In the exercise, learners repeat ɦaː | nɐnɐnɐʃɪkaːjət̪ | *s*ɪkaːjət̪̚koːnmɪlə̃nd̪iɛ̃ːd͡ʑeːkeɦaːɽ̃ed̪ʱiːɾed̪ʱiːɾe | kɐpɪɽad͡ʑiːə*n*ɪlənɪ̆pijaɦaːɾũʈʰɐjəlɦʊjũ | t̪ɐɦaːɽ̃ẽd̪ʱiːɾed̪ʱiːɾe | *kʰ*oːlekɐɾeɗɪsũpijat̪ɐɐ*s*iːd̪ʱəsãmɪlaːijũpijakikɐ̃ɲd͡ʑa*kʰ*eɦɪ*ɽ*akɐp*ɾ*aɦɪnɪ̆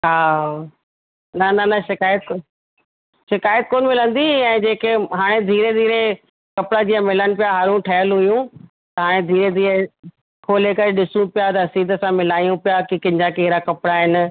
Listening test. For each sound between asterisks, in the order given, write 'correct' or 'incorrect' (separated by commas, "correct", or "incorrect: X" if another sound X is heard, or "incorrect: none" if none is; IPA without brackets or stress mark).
incorrect: ʃ, incorrect: m, correct, correct, incorrect: k, incorrect: ɾ, incorrect: ɽ